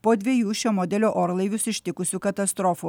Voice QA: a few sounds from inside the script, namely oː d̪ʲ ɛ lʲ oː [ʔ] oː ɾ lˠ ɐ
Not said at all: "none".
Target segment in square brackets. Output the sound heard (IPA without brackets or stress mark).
ʔ